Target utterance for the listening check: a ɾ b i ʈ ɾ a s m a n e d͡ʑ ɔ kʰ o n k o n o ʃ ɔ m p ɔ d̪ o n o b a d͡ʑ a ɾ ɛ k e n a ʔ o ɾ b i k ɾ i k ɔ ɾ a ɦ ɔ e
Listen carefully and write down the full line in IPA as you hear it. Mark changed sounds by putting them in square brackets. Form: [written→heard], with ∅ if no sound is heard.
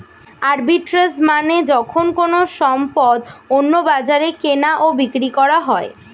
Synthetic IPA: a ɾ b i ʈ ɾ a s m a n e d͡ʑ ɔ kʰ o n k o n o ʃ ɔ m p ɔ d̪ o [n→nː] o b a d͡ʑ a ɾ [ɛ→e] k e n a ʔ o [ɾ→∅] b i k ɾ i k ɔ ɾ a ɦ ɔ e